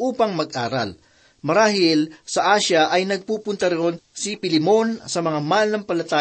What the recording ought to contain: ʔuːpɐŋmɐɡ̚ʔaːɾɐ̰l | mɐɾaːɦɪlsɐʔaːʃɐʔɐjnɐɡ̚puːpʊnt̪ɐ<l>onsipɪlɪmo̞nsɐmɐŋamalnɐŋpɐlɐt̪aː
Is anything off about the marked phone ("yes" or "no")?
yes